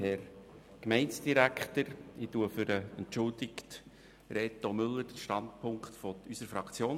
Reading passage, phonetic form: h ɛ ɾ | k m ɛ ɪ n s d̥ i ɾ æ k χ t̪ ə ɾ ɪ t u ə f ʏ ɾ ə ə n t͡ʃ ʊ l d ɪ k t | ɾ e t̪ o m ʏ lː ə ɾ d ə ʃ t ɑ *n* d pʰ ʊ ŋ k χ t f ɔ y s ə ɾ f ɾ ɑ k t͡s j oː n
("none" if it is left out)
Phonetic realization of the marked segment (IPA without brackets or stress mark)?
n